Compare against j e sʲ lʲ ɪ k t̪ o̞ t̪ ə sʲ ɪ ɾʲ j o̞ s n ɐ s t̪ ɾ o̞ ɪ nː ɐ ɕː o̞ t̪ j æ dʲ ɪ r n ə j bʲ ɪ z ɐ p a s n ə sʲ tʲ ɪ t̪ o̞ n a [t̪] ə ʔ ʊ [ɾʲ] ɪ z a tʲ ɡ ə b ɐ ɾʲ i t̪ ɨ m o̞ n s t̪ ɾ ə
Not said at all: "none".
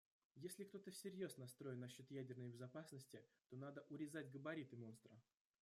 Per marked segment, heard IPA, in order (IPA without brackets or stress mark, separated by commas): d̪, ɾʲ